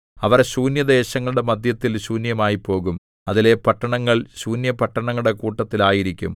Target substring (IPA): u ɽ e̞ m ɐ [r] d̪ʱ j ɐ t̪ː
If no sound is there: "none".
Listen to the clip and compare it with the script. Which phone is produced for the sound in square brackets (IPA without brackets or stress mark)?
none